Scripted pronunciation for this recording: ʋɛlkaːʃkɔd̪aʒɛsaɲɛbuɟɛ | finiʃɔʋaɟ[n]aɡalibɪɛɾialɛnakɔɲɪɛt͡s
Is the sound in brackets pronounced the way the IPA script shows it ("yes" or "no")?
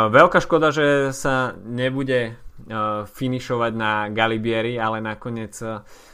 yes